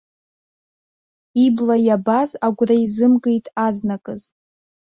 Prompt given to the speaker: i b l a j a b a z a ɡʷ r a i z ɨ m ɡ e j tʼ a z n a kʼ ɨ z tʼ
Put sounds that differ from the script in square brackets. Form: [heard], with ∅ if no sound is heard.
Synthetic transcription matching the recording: i b l a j a b a z a ɡʷ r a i z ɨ m ɡ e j tʼ a z n a kʼ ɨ z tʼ